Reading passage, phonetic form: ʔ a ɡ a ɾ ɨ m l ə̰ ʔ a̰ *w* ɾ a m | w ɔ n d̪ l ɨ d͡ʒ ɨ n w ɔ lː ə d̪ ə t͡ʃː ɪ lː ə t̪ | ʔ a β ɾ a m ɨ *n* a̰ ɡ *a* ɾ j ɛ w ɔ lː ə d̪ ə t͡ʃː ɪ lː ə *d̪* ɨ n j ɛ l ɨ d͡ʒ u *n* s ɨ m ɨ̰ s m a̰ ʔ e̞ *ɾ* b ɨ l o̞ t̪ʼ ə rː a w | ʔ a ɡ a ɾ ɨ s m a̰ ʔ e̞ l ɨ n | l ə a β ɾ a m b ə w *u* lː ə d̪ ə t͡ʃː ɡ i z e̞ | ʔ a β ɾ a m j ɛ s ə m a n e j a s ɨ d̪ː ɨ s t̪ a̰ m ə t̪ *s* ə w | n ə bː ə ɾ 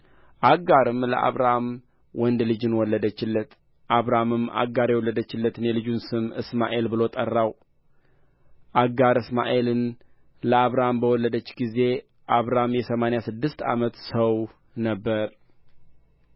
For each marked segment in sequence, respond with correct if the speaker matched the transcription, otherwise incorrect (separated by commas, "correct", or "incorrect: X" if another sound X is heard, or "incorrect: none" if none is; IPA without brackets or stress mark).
incorrect: β, incorrect: m, correct, incorrect: t̪, correct, incorrect: l, incorrect: ɔ, correct